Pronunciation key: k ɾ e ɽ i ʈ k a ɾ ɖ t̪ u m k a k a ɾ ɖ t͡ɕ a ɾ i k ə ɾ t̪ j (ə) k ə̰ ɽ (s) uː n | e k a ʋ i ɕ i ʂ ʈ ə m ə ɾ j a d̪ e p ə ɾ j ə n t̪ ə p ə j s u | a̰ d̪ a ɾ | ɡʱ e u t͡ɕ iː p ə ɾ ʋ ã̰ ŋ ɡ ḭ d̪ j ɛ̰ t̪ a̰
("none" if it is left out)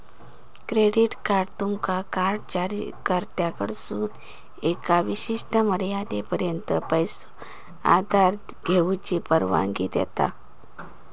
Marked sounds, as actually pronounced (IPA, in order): a, s

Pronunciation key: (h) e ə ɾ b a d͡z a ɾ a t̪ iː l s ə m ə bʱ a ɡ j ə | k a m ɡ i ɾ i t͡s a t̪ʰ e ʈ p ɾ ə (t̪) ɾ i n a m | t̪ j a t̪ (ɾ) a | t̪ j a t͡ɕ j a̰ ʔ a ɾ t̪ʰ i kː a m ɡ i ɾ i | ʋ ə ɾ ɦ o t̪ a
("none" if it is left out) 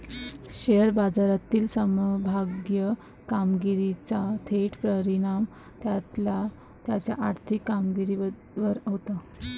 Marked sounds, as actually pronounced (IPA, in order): ɕ, none, l

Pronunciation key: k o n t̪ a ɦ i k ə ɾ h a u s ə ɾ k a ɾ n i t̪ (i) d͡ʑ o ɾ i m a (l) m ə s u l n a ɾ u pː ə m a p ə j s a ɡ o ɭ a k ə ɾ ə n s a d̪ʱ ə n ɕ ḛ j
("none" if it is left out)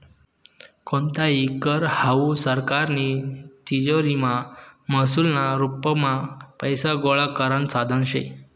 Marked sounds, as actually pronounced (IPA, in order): i, none

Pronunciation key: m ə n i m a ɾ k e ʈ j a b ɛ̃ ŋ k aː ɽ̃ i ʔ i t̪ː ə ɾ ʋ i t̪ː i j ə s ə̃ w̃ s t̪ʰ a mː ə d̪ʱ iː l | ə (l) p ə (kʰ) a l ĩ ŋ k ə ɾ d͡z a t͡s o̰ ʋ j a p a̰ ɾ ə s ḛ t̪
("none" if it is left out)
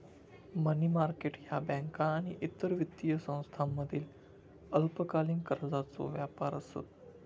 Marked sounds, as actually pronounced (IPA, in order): l, k

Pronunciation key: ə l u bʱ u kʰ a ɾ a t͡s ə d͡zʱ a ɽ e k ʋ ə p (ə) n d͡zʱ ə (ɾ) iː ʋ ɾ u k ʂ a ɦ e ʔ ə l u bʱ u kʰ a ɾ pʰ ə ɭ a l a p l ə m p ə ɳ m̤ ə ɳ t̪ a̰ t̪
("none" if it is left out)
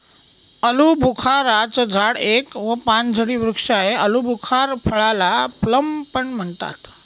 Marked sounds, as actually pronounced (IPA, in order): a, ɽ

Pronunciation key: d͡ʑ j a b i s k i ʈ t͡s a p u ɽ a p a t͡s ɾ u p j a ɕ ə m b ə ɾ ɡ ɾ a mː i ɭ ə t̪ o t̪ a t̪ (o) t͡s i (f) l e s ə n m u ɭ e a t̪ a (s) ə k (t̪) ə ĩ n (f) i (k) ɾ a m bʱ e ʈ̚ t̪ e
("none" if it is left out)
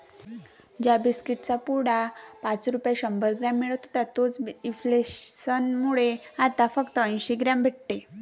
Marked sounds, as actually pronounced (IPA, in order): o, f, f, t̪, ɕ, ɡ

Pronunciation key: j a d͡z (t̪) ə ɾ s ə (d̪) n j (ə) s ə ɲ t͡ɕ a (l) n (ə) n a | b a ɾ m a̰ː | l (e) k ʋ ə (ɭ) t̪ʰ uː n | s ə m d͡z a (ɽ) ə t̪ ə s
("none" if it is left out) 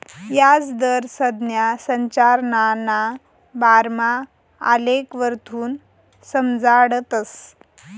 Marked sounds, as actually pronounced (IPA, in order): d̪, d̪, a, ɾ, a, e, ɾ, ɽ

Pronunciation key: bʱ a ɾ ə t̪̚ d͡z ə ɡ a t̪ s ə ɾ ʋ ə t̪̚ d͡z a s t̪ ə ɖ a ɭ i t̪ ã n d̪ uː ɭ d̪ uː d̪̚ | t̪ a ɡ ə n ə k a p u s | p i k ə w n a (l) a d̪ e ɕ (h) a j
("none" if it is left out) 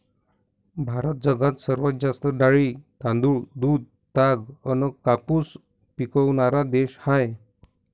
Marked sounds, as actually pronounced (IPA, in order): ɾ, h

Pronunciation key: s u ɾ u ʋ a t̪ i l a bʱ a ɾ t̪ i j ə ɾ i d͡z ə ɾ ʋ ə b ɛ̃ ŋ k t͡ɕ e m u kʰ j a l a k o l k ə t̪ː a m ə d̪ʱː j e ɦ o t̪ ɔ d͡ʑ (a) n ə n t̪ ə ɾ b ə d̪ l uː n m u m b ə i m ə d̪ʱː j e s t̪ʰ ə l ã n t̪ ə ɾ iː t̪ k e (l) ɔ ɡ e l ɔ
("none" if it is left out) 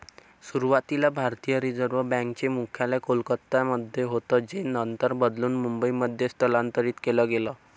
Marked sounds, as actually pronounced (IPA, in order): e, l

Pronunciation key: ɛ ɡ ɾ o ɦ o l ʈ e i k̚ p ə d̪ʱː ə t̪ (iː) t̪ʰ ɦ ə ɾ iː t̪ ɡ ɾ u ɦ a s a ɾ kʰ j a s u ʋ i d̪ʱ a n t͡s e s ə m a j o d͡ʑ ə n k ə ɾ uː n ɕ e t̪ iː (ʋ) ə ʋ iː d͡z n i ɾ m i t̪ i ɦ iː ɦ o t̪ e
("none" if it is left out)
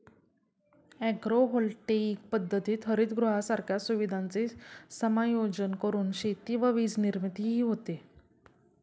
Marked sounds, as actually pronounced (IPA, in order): iː, ʋ

